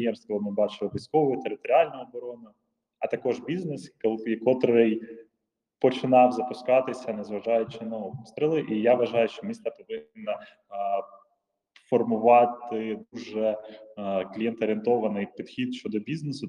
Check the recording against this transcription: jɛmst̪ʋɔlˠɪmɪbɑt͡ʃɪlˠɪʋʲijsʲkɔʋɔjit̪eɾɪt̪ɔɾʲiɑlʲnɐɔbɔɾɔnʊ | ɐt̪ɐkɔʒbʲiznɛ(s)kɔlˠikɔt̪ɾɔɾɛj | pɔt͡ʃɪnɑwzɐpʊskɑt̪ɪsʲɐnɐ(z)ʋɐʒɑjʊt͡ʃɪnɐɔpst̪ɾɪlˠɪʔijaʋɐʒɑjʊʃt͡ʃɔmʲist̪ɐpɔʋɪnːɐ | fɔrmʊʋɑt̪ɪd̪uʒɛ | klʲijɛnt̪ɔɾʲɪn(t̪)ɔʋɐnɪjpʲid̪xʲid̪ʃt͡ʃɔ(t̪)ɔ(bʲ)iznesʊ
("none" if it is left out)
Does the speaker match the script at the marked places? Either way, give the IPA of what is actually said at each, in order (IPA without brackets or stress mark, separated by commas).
s, z, t̪, d̪, bʲ